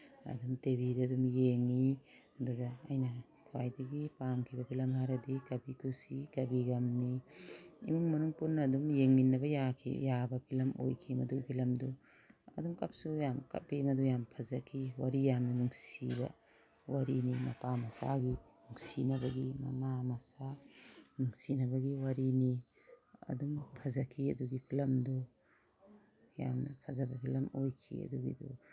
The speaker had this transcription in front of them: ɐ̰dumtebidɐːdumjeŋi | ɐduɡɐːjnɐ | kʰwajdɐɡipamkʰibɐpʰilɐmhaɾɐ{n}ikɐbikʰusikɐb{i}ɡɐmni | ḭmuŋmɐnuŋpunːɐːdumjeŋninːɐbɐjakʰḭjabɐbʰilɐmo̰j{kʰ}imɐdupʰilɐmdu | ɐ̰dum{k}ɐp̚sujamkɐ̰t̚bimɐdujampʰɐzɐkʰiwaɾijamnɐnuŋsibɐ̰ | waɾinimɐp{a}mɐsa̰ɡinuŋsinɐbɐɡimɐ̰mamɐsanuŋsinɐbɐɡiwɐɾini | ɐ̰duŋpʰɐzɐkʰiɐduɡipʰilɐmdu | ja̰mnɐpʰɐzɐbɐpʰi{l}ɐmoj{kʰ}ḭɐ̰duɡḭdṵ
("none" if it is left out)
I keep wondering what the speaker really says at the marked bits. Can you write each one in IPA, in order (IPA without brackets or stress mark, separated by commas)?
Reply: d, i, kʰ, k, a, l, kʰ